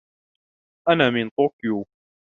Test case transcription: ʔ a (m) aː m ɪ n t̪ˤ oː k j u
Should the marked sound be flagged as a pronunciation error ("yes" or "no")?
yes